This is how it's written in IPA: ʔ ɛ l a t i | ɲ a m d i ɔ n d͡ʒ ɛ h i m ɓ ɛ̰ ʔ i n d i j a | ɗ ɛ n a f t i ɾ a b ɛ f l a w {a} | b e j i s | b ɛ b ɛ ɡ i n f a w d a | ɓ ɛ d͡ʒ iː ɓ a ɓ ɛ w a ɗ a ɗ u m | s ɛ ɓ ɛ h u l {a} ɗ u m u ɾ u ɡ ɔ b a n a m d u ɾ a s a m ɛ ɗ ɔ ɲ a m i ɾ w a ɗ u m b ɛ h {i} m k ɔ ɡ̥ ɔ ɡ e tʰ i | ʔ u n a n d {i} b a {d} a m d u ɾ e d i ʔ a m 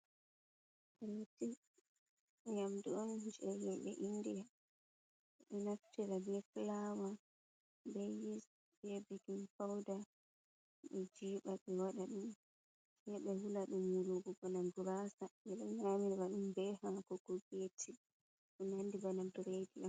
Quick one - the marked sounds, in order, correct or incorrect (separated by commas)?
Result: correct, correct, incorrect, correct, incorrect